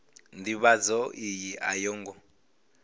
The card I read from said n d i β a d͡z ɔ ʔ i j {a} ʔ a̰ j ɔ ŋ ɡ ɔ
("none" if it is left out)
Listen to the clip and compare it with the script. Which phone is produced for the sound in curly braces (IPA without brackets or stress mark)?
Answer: i